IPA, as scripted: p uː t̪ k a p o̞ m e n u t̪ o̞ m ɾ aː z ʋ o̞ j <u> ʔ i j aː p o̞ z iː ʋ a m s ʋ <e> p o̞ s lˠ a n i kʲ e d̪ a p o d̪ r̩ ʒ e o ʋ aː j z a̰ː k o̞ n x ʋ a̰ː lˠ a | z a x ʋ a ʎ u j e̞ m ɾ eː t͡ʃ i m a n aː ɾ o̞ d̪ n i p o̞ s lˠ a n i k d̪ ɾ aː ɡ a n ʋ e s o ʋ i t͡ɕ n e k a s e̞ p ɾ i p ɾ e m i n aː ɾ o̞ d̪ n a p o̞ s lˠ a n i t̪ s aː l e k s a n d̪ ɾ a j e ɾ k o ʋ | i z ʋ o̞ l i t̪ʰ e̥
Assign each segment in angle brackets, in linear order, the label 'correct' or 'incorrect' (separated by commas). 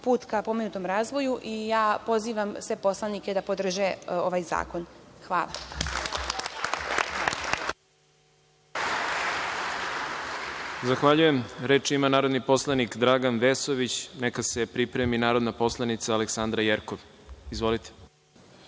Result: correct, correct